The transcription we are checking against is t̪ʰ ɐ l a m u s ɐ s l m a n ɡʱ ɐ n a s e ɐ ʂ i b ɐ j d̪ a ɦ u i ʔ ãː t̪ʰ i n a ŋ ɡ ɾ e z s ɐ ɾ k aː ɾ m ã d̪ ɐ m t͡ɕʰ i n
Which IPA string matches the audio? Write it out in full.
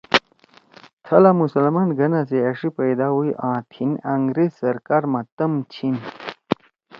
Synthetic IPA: t̪ʰ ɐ l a m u s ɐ l m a n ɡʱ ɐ n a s e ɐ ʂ i p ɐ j d̪ a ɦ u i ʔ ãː t̪ʰ i n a ŋ ɡ ɾ e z s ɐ ɾ k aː ɾ m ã t̪ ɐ m t͡ɕʰ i n